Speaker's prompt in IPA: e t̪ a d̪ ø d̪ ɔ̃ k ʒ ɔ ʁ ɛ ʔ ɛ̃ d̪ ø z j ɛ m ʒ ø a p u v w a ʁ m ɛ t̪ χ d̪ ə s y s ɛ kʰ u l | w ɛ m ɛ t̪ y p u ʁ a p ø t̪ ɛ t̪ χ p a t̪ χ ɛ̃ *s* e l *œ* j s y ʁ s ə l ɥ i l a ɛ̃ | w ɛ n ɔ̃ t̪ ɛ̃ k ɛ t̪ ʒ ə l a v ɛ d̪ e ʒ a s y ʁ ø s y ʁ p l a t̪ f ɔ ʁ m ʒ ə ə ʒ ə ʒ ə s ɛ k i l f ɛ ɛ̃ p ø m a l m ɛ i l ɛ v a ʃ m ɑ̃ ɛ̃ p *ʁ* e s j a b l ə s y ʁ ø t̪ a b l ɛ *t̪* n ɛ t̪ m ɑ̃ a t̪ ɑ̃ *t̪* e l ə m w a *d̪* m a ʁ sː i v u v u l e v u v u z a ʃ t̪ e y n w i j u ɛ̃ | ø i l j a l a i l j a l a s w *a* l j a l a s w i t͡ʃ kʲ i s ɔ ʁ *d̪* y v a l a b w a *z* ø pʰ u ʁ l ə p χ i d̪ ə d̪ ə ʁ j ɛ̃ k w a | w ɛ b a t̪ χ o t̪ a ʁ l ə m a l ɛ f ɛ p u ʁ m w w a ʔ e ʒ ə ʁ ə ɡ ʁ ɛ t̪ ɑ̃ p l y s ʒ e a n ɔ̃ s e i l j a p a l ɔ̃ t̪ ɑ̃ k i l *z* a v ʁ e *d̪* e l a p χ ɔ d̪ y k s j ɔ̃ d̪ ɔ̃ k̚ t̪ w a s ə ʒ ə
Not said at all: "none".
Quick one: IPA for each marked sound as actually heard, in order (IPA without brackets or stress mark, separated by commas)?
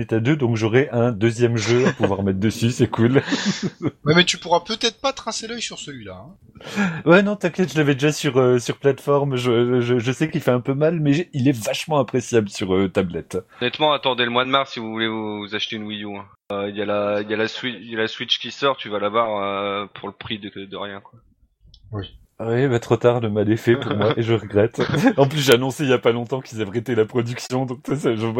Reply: s, œ, χ, t̪, d̪, d̪, i, t̪, ʁ, z, t̪